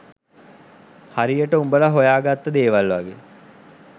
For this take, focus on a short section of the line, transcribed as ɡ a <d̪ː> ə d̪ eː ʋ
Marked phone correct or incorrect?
incorrect